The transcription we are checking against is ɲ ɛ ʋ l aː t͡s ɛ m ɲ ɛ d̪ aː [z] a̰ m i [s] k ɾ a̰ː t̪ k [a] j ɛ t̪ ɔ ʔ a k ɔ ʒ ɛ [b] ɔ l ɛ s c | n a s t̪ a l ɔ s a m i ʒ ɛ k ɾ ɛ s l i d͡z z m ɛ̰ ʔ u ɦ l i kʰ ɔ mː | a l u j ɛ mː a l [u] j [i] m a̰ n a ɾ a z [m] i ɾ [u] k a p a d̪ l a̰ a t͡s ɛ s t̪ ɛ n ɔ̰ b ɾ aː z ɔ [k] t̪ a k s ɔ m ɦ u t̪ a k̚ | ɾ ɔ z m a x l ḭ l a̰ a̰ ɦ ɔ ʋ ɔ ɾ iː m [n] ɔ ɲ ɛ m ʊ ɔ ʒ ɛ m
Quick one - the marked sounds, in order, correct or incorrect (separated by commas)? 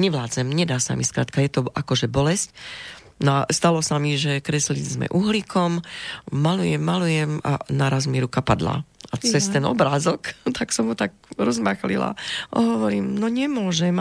incorrect, correct, correct, correct, correct, incorrect, correct, correct, correct, correct